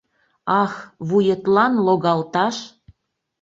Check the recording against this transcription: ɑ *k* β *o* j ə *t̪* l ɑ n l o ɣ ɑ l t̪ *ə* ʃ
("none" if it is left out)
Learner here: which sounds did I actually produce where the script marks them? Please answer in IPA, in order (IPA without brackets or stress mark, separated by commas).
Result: x, u, t̪, ɑ